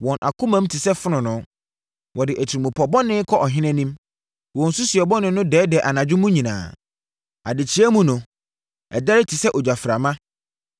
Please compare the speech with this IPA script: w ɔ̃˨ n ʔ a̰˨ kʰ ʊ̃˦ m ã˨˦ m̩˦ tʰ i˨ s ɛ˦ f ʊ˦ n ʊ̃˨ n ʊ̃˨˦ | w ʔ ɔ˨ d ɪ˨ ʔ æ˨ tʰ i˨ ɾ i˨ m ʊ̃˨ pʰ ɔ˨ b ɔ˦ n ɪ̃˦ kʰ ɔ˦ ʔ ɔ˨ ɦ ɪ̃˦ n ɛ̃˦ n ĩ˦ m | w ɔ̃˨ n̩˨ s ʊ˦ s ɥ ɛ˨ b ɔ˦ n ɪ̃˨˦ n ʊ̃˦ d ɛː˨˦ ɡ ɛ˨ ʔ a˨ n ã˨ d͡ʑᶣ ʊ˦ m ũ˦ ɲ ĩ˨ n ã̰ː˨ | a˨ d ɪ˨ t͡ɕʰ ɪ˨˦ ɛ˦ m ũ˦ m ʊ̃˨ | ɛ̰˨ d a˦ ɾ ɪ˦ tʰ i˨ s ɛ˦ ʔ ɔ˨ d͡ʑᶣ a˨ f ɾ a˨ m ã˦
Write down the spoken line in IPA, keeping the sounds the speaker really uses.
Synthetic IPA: w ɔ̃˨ n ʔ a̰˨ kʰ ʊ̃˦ m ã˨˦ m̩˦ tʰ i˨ s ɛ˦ f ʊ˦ n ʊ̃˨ n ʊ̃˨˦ | w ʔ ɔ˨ d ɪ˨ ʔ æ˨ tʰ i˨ ɾ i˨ m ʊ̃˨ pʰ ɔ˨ b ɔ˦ n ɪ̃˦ kʰ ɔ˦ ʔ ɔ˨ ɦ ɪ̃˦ n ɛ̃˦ n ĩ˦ m | w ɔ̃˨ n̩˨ s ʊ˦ s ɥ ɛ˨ b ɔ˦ n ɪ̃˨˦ n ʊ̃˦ d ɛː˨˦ d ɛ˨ ʔ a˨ n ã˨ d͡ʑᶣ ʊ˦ m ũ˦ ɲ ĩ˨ n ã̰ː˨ | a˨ d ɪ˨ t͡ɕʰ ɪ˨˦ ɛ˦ m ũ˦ n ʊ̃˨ | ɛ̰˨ d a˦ ɾ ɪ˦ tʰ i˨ s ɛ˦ ʔ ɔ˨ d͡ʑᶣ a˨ f ɾ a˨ m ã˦